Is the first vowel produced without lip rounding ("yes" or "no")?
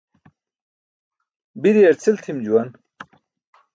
yes